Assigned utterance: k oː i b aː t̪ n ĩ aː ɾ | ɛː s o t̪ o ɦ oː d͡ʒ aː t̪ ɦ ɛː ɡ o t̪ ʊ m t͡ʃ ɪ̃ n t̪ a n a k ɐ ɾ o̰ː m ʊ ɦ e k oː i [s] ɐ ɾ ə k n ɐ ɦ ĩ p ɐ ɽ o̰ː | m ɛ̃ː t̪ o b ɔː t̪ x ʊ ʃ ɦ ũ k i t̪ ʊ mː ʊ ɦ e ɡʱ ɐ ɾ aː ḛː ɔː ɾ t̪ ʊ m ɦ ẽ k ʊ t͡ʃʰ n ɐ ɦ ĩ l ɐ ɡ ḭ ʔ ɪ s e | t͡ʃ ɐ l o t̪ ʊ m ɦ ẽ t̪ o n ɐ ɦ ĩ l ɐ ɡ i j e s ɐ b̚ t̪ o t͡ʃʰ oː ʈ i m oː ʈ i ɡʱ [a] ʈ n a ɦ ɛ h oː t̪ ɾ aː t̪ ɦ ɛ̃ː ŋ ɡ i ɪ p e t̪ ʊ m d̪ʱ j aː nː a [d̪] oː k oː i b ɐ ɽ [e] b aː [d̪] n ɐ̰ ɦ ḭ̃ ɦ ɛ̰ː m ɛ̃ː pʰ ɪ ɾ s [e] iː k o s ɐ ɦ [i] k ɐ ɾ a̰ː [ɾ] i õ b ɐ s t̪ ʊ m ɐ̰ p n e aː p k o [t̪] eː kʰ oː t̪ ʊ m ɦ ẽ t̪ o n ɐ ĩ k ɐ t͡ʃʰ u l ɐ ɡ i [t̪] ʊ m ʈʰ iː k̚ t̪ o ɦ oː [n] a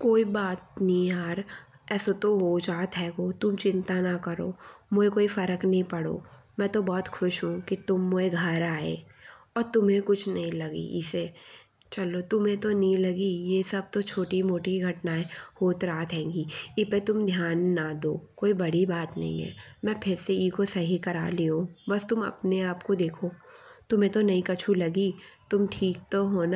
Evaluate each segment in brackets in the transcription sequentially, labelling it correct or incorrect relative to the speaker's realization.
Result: incorrect: f, incorrect: ɐ, correct, incorrect: i, incorrect: t̪, correct, correct, incorrect: l, incorrect: d̪, correct, correct

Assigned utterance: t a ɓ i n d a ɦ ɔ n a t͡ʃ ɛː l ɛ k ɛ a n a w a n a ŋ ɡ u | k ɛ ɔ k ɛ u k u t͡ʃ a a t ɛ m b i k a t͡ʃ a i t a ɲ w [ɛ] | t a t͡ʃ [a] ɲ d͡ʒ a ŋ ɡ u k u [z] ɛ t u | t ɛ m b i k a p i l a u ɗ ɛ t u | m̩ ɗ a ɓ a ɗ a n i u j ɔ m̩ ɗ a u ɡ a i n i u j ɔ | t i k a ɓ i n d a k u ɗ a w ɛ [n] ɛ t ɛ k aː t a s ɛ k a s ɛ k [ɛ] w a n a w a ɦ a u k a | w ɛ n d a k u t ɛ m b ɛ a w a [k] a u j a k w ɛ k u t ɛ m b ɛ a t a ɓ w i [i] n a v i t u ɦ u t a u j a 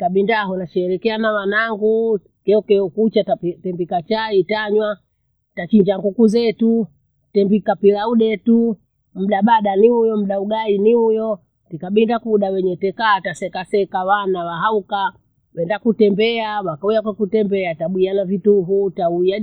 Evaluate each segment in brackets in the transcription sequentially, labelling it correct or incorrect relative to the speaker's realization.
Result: incorrect: a, incorrect: i, correct, incorrect: ɲ, incorrect: a, correct, incorrect: a

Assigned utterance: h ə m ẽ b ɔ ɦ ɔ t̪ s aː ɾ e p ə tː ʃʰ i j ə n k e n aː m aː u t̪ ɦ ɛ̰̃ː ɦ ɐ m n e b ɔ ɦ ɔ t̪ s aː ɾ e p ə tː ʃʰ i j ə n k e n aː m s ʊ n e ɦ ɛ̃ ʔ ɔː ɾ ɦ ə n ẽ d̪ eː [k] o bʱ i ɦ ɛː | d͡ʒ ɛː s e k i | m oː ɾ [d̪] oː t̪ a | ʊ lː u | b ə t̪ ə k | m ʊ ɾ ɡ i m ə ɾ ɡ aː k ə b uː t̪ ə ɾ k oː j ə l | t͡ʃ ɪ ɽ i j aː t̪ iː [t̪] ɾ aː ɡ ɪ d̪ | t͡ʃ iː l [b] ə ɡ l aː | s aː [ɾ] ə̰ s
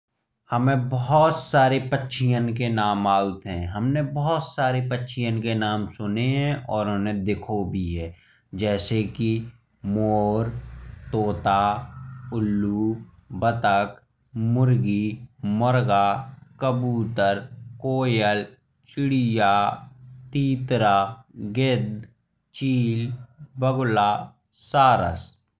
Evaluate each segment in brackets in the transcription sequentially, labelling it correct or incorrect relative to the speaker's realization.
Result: incorrect: kʰ, incorrect: t̪, correct, correct, correct

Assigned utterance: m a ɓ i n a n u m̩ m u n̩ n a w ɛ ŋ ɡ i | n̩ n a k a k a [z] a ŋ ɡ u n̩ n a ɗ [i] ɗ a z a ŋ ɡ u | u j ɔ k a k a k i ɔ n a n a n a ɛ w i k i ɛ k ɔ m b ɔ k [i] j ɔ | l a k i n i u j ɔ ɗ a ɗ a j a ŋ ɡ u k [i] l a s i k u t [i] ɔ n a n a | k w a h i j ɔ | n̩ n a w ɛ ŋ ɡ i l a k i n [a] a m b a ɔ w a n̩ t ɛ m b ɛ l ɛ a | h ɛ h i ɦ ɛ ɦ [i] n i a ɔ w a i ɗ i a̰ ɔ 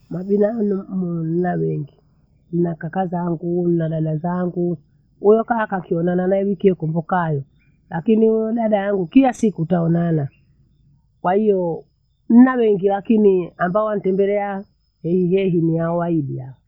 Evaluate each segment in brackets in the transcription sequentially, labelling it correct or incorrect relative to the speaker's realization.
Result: correct, incorrect: a, incorrect: a, correct, incorrect: a, incorrect: i, correct

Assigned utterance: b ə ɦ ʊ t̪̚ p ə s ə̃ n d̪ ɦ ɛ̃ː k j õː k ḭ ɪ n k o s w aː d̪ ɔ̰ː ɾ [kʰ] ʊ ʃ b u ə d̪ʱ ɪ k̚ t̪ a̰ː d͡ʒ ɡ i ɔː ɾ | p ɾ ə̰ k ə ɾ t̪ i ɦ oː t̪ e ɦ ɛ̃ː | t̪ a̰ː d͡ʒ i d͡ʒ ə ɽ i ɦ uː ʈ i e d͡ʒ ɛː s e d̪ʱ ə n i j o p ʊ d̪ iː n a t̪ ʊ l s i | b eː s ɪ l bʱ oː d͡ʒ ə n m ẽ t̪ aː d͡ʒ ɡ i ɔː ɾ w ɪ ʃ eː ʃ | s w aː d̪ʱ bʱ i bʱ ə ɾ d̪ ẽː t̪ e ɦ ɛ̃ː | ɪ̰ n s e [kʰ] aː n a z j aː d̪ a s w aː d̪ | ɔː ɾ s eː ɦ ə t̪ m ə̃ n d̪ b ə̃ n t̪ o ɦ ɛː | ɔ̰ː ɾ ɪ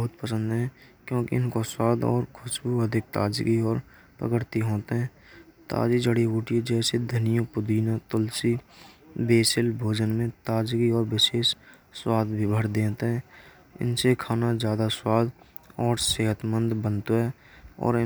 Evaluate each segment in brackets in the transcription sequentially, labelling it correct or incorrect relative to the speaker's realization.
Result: correct, correct

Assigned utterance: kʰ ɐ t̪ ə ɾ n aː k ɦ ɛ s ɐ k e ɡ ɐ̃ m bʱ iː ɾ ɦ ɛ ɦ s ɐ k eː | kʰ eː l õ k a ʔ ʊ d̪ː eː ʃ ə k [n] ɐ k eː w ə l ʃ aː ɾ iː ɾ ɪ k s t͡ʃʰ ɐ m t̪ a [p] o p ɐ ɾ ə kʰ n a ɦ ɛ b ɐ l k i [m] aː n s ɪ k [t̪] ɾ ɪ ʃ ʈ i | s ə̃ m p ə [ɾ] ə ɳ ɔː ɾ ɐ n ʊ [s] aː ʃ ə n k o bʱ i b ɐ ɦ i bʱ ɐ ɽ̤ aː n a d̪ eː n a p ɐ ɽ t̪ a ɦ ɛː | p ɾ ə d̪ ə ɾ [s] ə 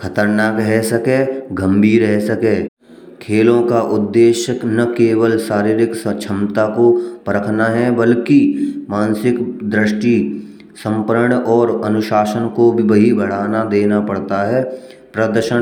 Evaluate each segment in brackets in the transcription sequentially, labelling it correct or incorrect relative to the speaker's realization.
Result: correct, incorrect: k, correct, incorrect: d̪, correct, incorrect: ʃ, incorrect: ʃ

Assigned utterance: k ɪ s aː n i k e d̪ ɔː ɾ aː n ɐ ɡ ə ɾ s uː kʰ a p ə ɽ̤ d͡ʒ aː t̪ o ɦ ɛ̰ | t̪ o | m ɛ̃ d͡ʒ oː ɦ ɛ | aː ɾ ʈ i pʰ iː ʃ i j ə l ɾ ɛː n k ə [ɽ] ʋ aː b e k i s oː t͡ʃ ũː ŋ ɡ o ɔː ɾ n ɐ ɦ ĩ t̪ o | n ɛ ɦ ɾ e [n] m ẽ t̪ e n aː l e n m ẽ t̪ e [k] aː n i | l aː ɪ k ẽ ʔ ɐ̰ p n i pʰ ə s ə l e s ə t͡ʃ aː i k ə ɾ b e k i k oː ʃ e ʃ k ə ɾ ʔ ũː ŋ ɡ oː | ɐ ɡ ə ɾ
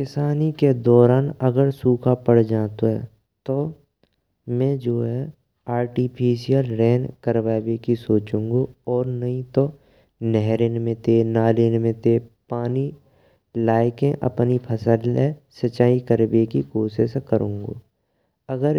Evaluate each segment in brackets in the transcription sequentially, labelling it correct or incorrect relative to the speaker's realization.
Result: incorrect: ɾ, correct, incorrect: p

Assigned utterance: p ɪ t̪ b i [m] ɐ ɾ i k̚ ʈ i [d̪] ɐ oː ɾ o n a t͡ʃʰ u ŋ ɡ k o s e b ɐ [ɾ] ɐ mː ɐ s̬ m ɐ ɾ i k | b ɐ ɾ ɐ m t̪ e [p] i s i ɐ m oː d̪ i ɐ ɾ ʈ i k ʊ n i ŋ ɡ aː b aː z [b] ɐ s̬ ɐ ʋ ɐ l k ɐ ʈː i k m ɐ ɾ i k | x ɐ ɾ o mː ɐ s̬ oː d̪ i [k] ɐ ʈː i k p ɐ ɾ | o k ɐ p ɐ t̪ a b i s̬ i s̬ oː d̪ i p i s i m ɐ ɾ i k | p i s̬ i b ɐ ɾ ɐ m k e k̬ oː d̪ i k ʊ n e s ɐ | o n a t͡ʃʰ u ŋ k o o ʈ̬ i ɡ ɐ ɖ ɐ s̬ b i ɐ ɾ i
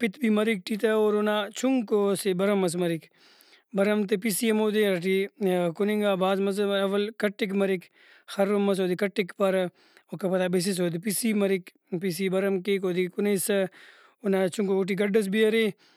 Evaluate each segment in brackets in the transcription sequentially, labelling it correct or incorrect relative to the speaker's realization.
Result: correct, incorrect: t̪, correct, correct, incorrect: m, correct

